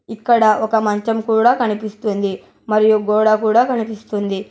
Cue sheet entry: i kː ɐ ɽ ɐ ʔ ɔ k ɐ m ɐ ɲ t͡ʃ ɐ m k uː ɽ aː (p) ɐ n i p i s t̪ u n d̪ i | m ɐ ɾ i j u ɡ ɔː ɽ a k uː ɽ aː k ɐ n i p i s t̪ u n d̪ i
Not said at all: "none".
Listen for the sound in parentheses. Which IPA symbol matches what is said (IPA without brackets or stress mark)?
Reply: k